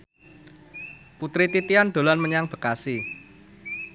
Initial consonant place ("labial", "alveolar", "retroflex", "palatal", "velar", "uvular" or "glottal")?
labial